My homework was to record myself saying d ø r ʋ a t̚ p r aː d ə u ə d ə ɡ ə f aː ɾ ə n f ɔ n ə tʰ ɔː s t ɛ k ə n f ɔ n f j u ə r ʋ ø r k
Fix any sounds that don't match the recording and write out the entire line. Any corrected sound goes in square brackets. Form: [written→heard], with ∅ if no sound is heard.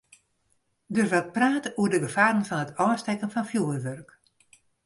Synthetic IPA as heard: d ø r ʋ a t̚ p r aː [d→t] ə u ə d ə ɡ ə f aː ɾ ə n f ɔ n ə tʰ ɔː s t ɛ k ə n f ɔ n f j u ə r ʋ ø r k